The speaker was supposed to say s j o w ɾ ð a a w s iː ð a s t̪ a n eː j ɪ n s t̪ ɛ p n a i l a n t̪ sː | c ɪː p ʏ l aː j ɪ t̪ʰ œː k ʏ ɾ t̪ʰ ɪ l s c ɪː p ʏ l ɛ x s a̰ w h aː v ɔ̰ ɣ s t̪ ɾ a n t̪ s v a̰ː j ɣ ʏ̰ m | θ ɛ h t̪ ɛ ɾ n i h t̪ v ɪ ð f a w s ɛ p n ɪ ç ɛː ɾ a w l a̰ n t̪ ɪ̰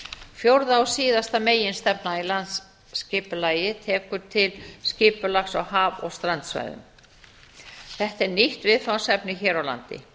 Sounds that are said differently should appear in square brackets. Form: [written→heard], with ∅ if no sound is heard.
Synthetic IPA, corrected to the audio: [s→f] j o w ɾ ð a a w s iː ð a s t̪ a [n→m] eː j ɪ n s t̪ ɛ p n a i l a n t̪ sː | c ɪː p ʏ l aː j ɪ t̪ʰ [œː→ɛː] k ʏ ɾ t̪ʰ ɪ l s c ɪː p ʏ l [ɛ→a] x s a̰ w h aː v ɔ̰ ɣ s t̪ ɾ a n t̪ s v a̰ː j [ɣ→ð] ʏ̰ m | θ ɛ h t̪ ɛ ɾ n i h t̪ v ɪ ð f a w s ɛ p n ɪ ç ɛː ɾ a w l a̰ n t̪ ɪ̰

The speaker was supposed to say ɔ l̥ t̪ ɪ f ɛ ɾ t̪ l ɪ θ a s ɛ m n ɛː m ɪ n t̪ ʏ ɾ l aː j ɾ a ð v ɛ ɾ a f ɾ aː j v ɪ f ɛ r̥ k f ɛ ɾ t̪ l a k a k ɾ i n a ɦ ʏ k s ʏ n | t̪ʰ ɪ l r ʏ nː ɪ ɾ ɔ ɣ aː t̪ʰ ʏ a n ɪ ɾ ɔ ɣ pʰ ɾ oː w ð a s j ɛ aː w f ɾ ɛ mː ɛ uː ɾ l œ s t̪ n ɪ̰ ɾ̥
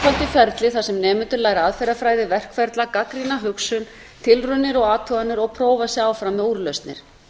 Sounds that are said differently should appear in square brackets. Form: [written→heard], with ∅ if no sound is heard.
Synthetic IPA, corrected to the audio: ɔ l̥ t̪ ɪ f ɛ ɾ t̪ l ɪ θ a s ɛ m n ɛː m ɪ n t̪ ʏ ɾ l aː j ɾ a ð [v→f] ɛ ɾ a f ɾ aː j [v→ð] ɪ [f→v] ɛ r̥ k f ɛ ɾ t̪ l a k a k ɾ i n a ɦ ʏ k s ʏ n | t̪ʰ ɪ l r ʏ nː ɪ ɾ ɔ ɣ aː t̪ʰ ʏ a n ɪ ɾ ɔ ɣ pʰ ɾ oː w [ð→v] a s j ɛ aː w f ɾ [ɛ→a] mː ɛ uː ɾ l œ s t̪ n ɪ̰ ɾ̥

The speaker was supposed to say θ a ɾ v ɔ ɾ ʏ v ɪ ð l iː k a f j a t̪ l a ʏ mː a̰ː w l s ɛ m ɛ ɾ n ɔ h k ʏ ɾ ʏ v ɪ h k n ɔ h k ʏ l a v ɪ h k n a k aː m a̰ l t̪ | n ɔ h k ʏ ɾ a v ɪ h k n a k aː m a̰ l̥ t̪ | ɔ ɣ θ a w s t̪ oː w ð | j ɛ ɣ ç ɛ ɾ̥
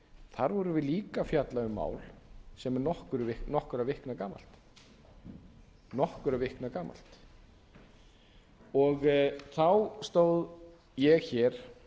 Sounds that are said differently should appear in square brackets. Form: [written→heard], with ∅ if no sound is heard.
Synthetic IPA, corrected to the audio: θ a ɾ v ɔ ɾ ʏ v ɪ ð l iː k a f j a t̪ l a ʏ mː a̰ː w l s ɛ m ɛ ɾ n ɔ h k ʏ ɾ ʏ v ɪ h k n ɔ h k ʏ [l→ɾ] a v ɪ h k n a k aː m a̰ l t̪ | n ɔ h k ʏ ɾ a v ɪ h k n a k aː m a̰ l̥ t̪ | ɔ ɣ θ a w s t̪ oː w ð | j ɛ ɣ ç ɛ ɾ̥

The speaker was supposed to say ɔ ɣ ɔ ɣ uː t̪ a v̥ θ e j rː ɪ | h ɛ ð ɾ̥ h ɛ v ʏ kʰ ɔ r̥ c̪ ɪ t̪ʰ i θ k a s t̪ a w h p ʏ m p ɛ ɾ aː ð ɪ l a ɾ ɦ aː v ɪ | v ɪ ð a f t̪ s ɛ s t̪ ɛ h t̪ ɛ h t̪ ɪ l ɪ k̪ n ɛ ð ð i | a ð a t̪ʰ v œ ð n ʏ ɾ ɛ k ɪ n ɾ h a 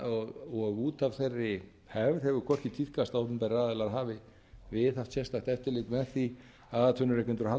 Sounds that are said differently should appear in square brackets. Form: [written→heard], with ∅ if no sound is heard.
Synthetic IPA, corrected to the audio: ɔ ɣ ɔ ɣ uː t̪ a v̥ θ e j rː ɪ | h ɛ [ð→v] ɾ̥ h ɛ v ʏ kʰ ɔ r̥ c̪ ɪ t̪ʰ i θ k a s t̪ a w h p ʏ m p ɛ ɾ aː ð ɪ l a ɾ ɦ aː v ɪ | v ɪ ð a f t̪ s ɛ s t̪ [ɛ→a] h t̪ ɛ [h→f] t̪ ɪ l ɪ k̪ [n→m] ɛ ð [ð→θ] i | a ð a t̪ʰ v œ [ð→∅] n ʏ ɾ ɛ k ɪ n ɾ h a

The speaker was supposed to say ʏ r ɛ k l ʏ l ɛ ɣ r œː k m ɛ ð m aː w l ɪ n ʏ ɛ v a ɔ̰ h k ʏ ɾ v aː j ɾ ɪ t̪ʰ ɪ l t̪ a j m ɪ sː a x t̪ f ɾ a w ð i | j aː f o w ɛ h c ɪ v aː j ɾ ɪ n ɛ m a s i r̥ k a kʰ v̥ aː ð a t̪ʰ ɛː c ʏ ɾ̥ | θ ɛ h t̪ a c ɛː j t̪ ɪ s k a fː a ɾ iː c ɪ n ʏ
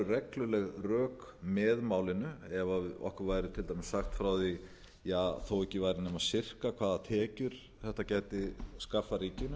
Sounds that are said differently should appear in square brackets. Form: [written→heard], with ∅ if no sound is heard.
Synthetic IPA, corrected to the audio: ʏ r ɛ k l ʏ l ɛ ɣ r œː k m ɛ ð m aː w l ɪ n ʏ ɛ v a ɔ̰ h k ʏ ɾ v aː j ɾ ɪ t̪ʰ ɪ l t̪ a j m ɪ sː a x t̪ f ɾ a w ð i | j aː [f→θ] o w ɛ h c ɪ v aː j ɾ ɪ n ɛ m a s [i→ɪ] r̥ k a kʰ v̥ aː ð a t̪ʰ ɛː c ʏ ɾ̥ | θ ɛ h t̪ a c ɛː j t̪ ɪ s k a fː a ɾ iː c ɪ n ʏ

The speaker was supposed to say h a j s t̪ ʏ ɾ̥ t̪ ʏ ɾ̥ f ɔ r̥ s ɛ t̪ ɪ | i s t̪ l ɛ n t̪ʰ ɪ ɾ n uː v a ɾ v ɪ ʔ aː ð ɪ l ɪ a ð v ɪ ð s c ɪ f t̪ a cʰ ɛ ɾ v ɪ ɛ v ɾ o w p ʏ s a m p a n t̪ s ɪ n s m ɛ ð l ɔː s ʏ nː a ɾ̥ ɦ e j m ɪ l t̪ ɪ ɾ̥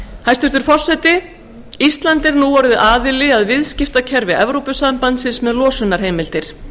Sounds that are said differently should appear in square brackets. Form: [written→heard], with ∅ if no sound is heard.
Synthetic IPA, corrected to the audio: h a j s t̪ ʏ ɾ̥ t̪ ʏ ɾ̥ f ɔ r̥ s ɛ t̪ ɪ | i s t̪ l [ɛ→a] n [t̪ʰ→t̪] ɪ ɾ n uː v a ɾ [v→ð] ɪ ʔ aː ð ɪ l ɪ a ð v ɪ ð s c ɪ f t̪ a cʰ ɛ ɾ v ɪ ɛ v ɾ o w p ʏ s a m p a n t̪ s ɪ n s m ɛ ð l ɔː s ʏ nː a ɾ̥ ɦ e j m ɪ l t̪ ɪ ɾ̥

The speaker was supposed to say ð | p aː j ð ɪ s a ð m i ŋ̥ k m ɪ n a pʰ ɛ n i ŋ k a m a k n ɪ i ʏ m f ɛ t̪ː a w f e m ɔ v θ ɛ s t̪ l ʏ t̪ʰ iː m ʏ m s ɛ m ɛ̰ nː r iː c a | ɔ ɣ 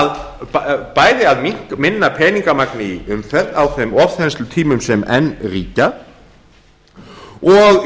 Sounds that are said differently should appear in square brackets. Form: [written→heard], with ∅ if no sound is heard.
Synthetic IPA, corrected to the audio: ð | p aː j ð ɪ [s→∅] a ð m i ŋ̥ k m ɪ [n→nː] a pʰ [ɛ→ɛː] n i ŋ k a m a k n ɪ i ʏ m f ɛ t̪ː a w [f→θ] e m ɔ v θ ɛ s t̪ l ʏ t̪ʰ iː m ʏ m s ɛ m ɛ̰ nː r iː c a | ɔ ɣ

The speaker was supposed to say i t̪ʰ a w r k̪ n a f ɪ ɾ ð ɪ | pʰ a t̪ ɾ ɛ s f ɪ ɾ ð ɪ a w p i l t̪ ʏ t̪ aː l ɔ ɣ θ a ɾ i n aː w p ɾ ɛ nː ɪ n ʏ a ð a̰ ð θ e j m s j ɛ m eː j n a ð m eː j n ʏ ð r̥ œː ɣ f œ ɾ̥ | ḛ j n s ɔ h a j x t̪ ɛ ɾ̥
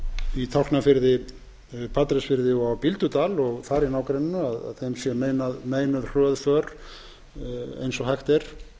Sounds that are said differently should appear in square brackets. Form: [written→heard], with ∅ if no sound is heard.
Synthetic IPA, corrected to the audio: i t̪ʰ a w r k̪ n a f ɪ ɾ ð ɪ | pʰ a t̪ ɾ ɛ s f ɪ ɾ ð ɪ a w p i l t̪ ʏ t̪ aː l ɔ ɣ θ a ɾ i n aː w [p→k] ɾ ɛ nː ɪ n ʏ a ð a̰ ð θ e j m s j ɛ m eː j n a ð m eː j n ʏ ð r̥ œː [ɣ→ð] f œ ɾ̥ | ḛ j n s ɔ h a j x t̪ ɛ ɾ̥

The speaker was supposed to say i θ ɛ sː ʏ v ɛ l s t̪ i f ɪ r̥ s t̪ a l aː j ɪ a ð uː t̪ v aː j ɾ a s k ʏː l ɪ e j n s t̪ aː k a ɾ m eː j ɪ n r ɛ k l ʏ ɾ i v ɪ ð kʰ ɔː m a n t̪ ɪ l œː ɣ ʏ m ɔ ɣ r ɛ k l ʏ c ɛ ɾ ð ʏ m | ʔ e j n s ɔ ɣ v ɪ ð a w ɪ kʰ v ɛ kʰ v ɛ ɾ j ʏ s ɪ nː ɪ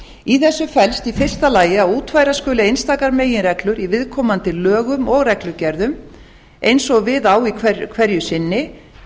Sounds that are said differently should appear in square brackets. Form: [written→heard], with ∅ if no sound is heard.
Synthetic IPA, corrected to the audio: i θ ɛ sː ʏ [v→f] ɛ l s t̪ i f ɪ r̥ s t̪ a l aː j ɪ a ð uː t̪ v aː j ɾ a s k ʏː l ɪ e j n s t̪ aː k a ɾ m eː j ɪ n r ɛ k l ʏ ɾ i v ɪ ð kʰ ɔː m a n t̪ ɪ l œː ɣ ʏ m ɔ ɣ r ɛ k l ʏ c ɛ ɾ ð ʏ m | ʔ e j n s ɔ ɣ v ɪ ð a w [ɪ→i] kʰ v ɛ kʰ v ɛ ɾ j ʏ s ɪ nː ɪ

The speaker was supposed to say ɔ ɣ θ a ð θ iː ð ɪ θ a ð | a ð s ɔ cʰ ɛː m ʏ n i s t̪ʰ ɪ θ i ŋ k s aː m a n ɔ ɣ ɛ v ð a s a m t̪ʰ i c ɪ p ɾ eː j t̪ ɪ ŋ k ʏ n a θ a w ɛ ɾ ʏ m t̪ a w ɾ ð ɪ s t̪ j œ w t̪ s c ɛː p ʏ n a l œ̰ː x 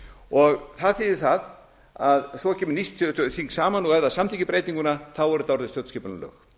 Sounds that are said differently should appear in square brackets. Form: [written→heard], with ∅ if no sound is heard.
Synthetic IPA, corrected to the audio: ɔ ɣ θ a ð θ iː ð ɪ θ a ð | a ð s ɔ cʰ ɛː m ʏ n i s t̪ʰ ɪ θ i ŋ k s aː m a n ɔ ɣ ɛ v ð a s a m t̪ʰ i c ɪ p ɾ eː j t̪ [ɪ→i] ŋ k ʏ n a θ a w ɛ ɾ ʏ [m→∅] t̪ a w ɾ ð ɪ s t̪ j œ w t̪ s c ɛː p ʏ n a l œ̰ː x

